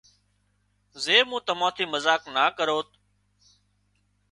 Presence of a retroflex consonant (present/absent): absent